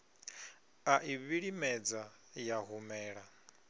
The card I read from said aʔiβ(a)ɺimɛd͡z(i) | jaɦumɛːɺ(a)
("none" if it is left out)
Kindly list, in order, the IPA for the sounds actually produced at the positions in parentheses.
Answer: i, a, a

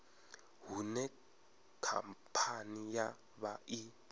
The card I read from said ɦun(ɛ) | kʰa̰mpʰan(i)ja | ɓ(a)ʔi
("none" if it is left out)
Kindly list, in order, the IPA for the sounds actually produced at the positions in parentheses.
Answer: ɛ, i, a

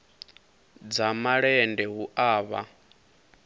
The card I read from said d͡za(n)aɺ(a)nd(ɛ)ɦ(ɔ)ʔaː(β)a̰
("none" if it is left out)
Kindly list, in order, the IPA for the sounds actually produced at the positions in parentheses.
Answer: m, ɛ, ɛ, u, β

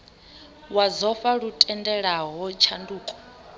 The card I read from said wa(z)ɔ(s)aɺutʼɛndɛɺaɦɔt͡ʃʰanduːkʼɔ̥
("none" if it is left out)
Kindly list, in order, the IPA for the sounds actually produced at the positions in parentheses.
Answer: z, f

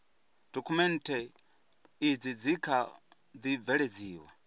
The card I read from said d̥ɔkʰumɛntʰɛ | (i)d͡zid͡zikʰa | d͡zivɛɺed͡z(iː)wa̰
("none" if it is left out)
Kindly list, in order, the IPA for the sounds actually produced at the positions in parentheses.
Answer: i, iː

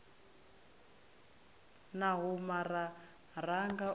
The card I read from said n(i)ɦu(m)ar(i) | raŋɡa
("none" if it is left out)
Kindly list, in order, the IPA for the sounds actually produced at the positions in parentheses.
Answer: a, m, a

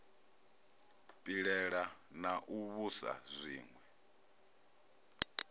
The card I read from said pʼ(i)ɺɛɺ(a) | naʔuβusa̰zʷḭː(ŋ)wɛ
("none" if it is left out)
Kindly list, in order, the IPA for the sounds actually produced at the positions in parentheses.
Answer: i, a, ŋ

